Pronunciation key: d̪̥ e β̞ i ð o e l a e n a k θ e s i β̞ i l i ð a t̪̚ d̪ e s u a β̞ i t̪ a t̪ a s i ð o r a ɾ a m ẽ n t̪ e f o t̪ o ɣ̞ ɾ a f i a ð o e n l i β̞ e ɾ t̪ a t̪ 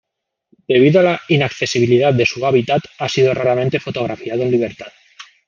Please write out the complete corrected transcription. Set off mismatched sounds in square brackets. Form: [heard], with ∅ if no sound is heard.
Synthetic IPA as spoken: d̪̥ e β̞ i ð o [a] l a [i] n a k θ e s i β̞ i l i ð a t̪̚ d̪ e s u a β̞ i t̪ a t̪ a s i ð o r a ɾ a m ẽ n t̪ e f o t̪ o ɣ̞ ɾ a f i a ð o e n l i β̞ e ɾ t̪ a t̪